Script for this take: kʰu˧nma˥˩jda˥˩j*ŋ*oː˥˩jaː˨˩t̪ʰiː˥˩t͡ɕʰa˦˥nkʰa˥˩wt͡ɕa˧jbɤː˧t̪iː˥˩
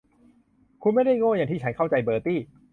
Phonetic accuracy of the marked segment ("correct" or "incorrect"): correct